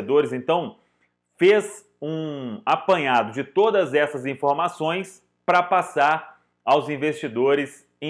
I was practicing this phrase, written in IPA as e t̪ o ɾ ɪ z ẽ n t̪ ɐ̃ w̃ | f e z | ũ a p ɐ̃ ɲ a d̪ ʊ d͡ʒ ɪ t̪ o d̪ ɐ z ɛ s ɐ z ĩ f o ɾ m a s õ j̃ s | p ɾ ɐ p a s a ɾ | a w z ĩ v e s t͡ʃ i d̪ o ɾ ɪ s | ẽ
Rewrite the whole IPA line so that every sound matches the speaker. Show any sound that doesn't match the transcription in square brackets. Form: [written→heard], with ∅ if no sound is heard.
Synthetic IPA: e [t̪→d̪] o ɾ ɪ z ẽ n t̪ ɐ̃ w̃ | f e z | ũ a p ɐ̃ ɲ a d̪ ʊ d͡ʒ ɪ t̪ o d̪ ɐ z ɛ s ɐ z ĩ f o ɾ m a s õ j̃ s | p ɾ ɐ p a s a ɾ | a w z ĩ v e s t͡ʃ i d̪ o ɾ ɪ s | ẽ